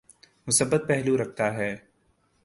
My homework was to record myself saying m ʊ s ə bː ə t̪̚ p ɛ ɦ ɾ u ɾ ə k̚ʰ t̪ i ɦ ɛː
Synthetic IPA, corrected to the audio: m ʊ s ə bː ə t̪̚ p ɛ ɦ l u ɾ ɐ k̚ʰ t̪ a ɦ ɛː